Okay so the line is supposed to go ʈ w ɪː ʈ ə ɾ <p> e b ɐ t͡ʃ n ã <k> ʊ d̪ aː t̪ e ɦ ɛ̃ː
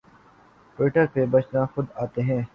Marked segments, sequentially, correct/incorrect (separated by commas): correct, incorrect